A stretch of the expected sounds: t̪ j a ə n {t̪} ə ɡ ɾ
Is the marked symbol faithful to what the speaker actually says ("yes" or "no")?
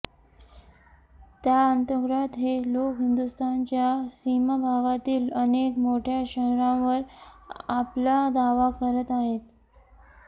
yes